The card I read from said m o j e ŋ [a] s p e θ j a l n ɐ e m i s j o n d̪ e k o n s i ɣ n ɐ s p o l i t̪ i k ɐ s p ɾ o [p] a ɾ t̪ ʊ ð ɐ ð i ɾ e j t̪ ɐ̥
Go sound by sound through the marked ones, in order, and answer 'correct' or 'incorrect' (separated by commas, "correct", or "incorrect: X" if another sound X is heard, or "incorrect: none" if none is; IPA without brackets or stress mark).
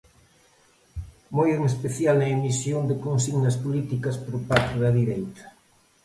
incorrect: e, correct